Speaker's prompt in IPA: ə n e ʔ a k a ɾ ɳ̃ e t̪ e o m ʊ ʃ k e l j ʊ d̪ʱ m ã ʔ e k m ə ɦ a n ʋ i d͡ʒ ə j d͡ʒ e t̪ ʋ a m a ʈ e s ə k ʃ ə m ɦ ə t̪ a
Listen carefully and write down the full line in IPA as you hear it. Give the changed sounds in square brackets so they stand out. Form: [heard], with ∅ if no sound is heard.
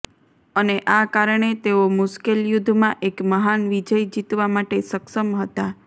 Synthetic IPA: ə n e ʔ a k a ɾ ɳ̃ e t̪ e o m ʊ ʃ k e l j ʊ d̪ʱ m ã ʔ e k m ə ɦ a n ʋ i d͡ʒ ə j d͡ʒ [i] t̪ ʋ a m a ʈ e s ə k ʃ ə m ɦ ə t̪ a